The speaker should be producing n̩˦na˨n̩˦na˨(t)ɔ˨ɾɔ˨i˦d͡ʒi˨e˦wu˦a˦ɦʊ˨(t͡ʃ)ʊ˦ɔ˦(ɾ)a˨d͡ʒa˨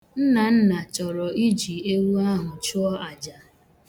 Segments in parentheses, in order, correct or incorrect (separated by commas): incorrect, correct, incorrect